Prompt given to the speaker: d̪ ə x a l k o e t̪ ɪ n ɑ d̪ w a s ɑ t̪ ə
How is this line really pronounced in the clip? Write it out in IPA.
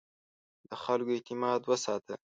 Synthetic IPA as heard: d̪ ə x a l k o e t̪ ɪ m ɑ d̪ w ə s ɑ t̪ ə